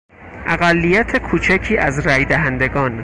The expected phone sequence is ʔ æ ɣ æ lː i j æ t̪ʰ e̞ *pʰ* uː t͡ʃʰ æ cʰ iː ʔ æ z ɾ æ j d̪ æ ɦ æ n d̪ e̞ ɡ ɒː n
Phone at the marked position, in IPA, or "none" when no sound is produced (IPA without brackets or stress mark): kʰ